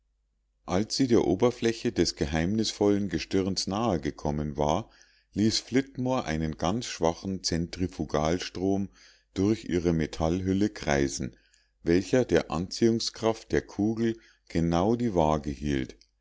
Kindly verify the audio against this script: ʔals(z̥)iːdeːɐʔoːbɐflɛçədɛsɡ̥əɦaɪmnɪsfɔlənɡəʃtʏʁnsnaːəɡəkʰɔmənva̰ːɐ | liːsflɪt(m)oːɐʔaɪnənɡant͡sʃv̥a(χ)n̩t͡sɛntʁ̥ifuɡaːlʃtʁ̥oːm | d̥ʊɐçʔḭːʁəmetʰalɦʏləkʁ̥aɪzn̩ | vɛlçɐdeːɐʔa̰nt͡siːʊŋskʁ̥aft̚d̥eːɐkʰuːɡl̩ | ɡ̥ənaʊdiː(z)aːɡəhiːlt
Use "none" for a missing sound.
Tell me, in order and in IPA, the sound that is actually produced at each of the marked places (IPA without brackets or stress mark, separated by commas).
z̥, m, χ, v